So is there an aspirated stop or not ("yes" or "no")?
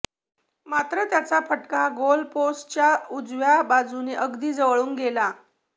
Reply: no